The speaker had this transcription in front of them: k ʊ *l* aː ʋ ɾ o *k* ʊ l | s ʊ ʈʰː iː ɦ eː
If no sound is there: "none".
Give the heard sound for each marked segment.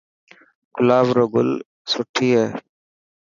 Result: l, ɡ

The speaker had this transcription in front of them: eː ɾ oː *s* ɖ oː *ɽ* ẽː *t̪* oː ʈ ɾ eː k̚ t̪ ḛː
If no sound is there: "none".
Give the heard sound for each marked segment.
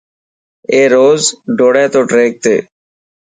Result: z, ɽ, t̪

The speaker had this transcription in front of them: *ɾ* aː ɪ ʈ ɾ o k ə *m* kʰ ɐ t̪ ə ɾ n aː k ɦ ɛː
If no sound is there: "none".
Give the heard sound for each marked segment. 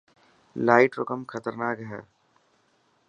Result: l, m

